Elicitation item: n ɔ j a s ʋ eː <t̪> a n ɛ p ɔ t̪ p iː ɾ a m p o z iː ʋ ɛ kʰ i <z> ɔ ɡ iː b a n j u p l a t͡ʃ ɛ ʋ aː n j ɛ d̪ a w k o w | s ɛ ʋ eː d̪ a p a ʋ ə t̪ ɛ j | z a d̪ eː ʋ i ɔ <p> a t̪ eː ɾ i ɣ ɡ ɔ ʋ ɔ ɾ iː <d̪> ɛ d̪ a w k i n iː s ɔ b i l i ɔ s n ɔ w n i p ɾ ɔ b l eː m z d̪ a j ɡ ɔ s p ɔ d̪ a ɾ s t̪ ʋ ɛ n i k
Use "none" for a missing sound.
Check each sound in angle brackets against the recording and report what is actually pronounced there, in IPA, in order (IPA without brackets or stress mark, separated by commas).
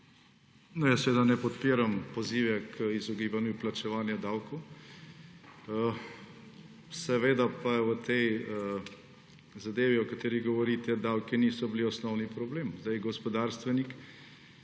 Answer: d̪, z, k, t̪